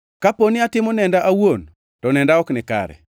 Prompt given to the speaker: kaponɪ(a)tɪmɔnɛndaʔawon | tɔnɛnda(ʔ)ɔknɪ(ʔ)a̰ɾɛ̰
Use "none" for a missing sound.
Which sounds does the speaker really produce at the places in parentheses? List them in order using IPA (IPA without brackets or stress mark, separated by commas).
a, none, k